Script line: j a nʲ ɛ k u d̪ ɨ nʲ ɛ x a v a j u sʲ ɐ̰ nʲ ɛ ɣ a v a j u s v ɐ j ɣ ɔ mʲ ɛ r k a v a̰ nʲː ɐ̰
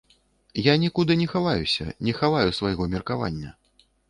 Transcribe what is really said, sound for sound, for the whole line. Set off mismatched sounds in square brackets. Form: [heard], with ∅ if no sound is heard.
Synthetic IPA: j a nʲ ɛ k u d̪ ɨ nʲ ɛ x a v a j u sʲ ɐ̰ nʲ ɛ [x] a v a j u s v [a] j ɣ ɔ mʲ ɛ r k a v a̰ nʲː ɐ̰